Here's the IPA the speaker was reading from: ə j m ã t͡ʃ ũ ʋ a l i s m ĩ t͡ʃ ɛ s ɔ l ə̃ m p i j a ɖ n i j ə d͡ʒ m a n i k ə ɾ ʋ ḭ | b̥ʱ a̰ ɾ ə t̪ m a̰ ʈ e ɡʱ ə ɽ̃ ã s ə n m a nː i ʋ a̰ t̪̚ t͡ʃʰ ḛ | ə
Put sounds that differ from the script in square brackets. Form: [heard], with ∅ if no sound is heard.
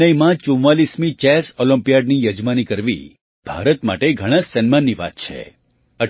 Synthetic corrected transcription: ə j m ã t͡ʃ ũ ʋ a l i s m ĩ t͡ʃ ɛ s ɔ l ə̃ m p i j a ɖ n i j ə d͡ʒ m a n i k ə ɾ ʋ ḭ | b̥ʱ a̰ ɾ ə t̪ m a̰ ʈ e ɡʱ ə ɽ̃ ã s ə n m a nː i ʋ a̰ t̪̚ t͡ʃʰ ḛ | ə